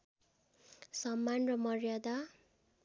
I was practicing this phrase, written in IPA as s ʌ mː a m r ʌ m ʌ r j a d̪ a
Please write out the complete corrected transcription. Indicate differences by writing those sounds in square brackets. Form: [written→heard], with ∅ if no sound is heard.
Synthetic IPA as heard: s ʌ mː a [m→n] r ʌ m ʌ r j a d̪ a